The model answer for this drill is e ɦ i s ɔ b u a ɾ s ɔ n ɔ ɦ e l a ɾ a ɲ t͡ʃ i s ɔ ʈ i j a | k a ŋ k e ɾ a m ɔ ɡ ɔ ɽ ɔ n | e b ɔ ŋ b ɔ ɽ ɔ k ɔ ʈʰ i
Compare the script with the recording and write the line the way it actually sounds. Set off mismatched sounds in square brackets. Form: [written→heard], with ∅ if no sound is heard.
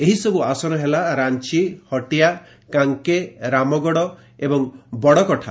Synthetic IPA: e ɦ i s ɔ b u a [ɾ→∅] s ɔ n ɔ ɦ e l a ɾ a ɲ t͡ʃ i [s→h] ɔ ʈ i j a | k a ŋ k e ɾ a m ɔ ɡ ɔ ɽ ɔ [n→∅] | e b ɔ ŋ b ɔ ɽ ɔ k ɔ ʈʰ [i→a]